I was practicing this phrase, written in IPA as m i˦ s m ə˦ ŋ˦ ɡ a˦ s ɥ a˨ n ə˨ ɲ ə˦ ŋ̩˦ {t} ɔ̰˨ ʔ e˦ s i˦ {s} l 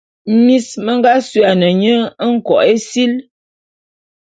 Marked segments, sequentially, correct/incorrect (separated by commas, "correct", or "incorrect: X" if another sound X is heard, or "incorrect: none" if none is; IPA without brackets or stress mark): incorrect: k, incorrect: none